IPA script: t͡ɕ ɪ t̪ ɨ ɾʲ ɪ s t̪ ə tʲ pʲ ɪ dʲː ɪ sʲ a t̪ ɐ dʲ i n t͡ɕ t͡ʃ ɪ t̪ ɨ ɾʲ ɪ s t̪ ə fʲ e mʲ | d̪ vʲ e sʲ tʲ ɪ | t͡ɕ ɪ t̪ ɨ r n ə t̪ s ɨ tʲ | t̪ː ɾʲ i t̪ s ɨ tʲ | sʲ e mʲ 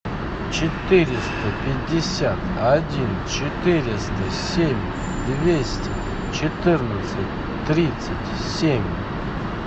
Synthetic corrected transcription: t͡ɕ ɪ t̪ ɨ ɾʲ ɪ s t̪ ə pʲ ɪ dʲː ɪ sʲ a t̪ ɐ dʲ i n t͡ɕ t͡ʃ ɪ t̪ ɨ ɾʲ ɪ s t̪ ə sʲ e mʲ | d̪ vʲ e sʲ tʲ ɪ | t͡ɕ ɪ t̪ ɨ r n ə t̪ s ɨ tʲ | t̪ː ɾʲ i t̪ s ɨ tʲ | sʲ e mʲ